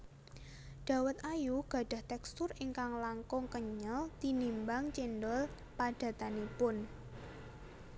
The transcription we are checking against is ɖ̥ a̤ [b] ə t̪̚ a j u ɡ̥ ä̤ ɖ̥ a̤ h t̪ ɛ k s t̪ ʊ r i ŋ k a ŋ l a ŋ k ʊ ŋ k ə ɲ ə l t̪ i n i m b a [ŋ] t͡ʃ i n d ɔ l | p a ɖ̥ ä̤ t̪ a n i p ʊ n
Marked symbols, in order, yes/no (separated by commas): no, yes